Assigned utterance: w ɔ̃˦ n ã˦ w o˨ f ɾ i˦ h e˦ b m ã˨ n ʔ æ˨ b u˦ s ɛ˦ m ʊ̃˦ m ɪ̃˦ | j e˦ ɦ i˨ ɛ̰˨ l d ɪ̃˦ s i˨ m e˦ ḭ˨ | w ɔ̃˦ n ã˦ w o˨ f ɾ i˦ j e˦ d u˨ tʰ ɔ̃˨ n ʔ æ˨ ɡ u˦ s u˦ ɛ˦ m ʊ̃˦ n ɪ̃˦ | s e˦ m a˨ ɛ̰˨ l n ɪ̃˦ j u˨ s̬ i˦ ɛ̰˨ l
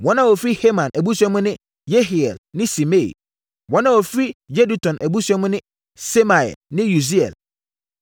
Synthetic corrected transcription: w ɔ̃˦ n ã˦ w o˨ f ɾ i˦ h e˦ m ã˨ n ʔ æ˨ b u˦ s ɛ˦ m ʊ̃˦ n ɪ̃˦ | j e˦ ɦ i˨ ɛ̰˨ l n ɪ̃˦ s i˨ m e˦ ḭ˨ | w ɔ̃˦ n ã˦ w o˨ f ɾ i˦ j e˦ d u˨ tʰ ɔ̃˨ n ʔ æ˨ b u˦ s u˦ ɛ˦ m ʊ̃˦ n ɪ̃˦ | s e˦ m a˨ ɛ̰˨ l n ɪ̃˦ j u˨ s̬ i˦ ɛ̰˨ l